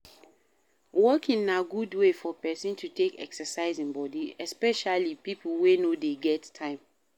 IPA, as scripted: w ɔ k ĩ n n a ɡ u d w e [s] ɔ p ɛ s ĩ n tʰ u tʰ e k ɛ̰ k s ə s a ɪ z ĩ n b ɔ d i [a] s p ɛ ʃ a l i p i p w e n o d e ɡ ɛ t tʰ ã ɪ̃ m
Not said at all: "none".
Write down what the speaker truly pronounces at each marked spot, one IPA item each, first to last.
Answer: f, ɛ

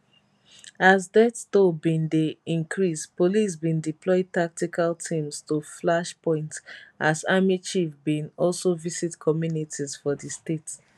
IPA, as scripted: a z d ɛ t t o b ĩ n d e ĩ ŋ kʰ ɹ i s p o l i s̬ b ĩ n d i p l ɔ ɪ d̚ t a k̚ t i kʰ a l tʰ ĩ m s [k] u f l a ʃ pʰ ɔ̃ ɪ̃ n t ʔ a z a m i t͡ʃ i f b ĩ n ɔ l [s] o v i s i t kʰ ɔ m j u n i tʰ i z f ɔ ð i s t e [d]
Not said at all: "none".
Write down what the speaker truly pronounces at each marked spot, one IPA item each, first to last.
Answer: t, s, t

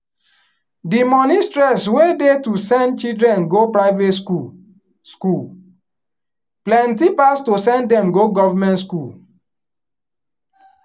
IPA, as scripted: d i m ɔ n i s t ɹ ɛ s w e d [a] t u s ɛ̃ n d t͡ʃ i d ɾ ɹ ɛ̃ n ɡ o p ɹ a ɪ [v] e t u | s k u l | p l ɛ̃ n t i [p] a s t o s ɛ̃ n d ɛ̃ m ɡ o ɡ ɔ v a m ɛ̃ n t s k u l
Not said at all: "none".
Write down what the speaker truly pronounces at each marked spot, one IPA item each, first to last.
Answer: e, v, p

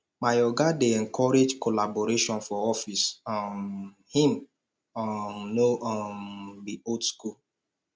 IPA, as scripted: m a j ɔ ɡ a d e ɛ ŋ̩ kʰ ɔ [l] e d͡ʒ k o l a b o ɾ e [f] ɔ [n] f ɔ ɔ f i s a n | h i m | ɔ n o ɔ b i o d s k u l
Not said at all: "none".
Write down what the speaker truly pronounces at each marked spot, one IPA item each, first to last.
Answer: ɾ, ʃ, n

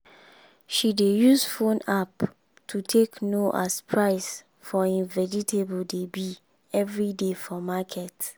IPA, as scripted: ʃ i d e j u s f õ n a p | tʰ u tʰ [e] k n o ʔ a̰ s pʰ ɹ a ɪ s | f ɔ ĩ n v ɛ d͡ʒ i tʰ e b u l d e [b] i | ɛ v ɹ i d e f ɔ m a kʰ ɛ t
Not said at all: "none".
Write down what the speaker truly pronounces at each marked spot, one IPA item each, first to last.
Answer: e, b

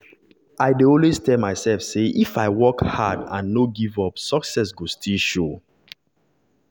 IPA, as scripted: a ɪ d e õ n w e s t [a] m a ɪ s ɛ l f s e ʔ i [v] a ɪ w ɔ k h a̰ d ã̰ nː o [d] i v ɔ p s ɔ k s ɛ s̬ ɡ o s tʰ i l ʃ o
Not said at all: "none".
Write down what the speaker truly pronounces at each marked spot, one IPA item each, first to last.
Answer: ɛ, f, ɡ

